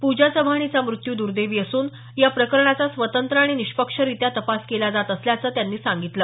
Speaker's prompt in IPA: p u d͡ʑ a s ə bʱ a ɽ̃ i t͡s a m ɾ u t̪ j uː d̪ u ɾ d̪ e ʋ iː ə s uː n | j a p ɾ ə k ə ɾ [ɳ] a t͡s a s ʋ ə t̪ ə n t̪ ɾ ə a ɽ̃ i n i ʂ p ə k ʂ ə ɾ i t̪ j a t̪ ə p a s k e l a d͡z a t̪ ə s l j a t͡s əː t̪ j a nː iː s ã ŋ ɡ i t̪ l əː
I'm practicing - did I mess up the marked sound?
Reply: no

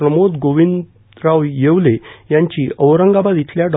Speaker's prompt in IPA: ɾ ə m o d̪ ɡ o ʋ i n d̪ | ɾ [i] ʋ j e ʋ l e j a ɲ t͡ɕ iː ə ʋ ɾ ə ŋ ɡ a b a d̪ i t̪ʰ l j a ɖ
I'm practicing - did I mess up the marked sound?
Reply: yes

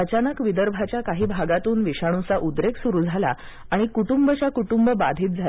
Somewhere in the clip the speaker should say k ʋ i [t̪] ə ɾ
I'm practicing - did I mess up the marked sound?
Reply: yes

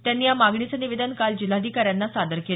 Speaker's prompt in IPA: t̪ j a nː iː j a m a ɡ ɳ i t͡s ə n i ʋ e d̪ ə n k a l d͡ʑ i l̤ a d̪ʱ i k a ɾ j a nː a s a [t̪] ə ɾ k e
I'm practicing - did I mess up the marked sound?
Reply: yes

